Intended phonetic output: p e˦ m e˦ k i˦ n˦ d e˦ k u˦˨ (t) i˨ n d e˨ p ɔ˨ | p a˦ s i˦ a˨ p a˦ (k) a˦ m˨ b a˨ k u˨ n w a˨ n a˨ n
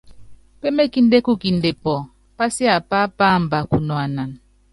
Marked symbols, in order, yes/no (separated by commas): no, no